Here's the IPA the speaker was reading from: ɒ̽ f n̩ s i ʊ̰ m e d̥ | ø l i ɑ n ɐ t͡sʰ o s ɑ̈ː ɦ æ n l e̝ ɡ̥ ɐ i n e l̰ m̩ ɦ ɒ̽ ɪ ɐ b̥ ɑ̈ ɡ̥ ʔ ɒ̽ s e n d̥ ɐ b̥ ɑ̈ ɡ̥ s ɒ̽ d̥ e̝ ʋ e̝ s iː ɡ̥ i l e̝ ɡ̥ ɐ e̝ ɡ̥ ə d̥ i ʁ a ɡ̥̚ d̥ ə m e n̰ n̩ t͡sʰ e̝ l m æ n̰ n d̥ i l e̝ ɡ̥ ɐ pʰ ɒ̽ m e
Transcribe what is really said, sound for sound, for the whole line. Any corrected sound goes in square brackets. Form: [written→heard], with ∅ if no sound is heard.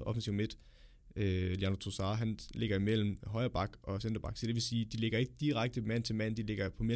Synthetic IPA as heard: ɒ̽ f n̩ s i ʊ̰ m e d̥ | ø l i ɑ n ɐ t͡sʰ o s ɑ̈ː ɦ æ n l e̝ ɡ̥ ɐ i [n→m] e l̰ m̩ ɦ ɒ̽ ɪ ɐ b̥ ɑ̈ ɡ̥ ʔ ɒ̽ s e n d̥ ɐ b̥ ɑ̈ ɡ̥ s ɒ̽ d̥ e̝ ʋ e̝ s iː [ɡ̥→d̥] i l e̝ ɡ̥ ɐ e̝ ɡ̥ ə d̥ i ʁ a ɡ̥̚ d̥ ə m [e→æ] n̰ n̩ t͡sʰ e̝ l m æ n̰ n d̥ i l e̝ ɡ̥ ɐ pʰ ɒ̽ m e